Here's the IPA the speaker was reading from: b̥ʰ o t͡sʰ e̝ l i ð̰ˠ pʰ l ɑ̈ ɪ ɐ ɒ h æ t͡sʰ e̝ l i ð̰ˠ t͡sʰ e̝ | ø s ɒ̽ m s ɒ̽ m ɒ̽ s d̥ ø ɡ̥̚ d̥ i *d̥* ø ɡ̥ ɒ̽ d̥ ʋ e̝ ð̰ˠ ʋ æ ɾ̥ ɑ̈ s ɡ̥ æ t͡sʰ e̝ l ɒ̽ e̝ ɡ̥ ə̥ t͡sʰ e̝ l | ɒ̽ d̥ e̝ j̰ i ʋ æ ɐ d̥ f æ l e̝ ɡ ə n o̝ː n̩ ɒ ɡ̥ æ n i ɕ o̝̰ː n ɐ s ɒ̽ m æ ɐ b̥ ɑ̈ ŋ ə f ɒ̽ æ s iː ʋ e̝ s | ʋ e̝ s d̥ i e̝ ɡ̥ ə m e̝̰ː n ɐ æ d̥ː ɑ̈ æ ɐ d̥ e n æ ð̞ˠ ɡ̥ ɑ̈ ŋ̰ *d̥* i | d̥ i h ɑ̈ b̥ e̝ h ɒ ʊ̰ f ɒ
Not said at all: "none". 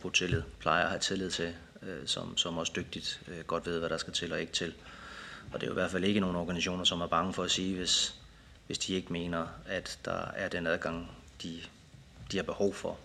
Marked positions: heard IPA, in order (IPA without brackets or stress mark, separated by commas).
d̥, d̥